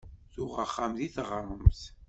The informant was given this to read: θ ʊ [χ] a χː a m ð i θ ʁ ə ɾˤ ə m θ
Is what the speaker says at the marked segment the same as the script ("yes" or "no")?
no